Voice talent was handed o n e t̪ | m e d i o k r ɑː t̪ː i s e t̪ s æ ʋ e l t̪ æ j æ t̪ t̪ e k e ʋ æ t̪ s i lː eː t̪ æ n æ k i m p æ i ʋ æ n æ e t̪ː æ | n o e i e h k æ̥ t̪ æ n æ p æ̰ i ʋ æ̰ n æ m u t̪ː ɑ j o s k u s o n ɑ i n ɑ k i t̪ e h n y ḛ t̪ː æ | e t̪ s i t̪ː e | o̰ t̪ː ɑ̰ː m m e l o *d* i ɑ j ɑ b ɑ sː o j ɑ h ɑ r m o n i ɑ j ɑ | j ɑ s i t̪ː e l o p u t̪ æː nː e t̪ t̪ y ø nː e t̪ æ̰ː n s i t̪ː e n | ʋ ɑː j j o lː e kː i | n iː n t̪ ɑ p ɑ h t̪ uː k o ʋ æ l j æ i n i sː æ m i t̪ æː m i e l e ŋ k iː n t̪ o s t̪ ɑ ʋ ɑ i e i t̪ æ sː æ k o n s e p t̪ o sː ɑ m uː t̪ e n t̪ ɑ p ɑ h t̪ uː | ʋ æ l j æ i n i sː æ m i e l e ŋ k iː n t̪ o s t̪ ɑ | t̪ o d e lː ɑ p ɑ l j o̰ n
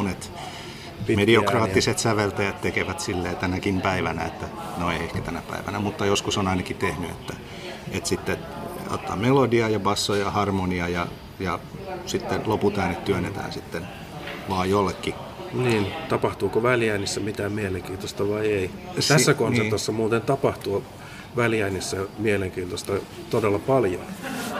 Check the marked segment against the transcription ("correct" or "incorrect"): correct